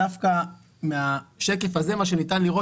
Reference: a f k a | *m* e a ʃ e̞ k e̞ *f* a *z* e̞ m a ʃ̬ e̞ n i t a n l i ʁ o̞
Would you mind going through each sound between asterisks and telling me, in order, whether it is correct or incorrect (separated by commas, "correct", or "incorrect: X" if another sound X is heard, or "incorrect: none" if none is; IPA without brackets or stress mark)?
correct, correct, correct